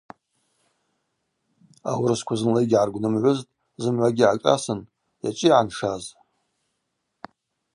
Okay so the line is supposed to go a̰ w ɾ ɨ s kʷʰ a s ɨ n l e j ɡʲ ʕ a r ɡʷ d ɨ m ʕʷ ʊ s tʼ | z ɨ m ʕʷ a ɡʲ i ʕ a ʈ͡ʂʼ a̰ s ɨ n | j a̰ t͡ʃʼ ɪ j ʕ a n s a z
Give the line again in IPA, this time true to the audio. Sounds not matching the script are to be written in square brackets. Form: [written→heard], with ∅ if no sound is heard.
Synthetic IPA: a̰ w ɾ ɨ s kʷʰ a [s→z] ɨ n l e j ɡʲ ʕ a r ɡʷ [d→n] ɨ m ʕʷ ʊ [s→z] tʼ | z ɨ m ʕʷ a ɡʲ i ʕ a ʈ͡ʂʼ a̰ s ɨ n | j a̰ t͡ʃʼ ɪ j ʕ a n [s→ʂ] a z